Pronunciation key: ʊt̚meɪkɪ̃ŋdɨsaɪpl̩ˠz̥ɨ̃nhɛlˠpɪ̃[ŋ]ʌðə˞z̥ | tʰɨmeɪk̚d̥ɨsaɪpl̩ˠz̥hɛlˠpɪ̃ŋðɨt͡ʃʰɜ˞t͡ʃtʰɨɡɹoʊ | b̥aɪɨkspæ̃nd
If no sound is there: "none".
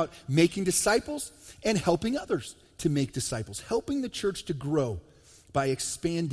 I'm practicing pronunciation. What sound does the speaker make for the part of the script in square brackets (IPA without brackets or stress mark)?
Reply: ŋ